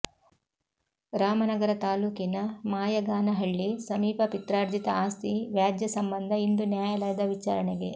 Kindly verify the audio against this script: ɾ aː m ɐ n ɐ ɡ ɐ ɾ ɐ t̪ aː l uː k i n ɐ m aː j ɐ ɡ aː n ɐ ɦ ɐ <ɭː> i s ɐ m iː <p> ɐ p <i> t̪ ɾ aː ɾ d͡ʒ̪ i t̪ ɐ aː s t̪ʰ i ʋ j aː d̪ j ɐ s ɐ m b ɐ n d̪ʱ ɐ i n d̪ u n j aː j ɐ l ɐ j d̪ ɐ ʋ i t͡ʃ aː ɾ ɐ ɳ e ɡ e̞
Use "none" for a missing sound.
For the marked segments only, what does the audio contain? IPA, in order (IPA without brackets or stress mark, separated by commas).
ɭː, p, i